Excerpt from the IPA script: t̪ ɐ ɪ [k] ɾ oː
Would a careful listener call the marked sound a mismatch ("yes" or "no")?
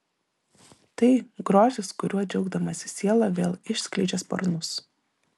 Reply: yes